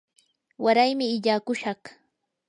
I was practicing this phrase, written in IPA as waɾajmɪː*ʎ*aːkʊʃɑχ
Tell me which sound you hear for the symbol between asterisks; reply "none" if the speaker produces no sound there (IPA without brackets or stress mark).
ʎ